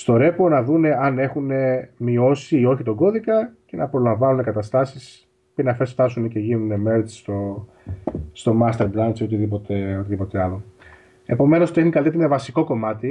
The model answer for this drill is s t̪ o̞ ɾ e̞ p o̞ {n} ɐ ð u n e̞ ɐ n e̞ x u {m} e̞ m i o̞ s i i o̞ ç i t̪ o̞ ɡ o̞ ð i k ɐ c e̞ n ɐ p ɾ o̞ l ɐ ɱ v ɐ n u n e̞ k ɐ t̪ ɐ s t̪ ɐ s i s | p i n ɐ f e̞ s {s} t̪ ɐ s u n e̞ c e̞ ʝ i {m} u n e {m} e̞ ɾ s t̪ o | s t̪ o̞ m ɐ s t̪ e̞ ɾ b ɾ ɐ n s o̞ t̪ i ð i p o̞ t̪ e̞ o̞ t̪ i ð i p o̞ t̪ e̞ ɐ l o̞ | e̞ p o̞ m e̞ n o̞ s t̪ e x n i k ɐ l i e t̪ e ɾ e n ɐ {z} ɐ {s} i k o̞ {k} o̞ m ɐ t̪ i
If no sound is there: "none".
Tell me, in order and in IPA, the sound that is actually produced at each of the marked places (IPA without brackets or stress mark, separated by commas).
n, n, f, n, m, v, s, k